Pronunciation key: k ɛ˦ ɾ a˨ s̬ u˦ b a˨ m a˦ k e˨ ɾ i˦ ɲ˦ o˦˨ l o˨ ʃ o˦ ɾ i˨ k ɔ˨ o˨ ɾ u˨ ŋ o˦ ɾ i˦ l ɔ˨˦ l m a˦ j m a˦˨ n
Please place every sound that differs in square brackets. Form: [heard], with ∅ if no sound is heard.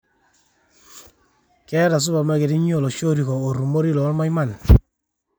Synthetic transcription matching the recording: k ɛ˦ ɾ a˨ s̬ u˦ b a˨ m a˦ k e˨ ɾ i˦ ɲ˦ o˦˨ l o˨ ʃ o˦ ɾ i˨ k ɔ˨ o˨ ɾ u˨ [m] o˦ ɾ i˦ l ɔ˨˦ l m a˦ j m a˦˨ n